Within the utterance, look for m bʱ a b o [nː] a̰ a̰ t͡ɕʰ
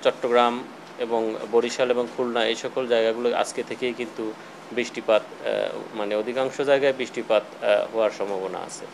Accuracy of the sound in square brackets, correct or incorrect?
incorrect